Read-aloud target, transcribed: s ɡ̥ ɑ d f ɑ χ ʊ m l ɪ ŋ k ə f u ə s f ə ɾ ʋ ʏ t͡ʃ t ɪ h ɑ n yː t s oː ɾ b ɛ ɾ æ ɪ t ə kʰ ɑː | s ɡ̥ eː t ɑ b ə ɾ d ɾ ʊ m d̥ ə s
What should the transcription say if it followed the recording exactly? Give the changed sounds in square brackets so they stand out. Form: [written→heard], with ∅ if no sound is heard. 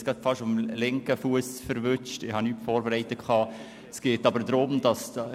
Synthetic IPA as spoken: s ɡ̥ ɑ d f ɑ [χ→ʃ] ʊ m l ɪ ŋ k ə f u ə s f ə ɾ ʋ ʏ t͡ʃ t ɪ h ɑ n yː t [s→f] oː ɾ b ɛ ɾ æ ɪ t ə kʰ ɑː | s ɡ̥ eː t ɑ b ə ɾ d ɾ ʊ m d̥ [ə→ɑ] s